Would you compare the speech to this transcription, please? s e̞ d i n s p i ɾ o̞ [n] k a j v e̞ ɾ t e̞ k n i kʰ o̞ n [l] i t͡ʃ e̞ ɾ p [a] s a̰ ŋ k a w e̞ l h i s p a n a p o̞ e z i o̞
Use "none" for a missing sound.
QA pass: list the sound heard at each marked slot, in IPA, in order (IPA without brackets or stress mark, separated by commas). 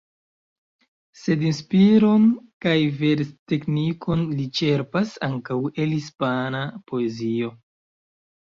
n, l, a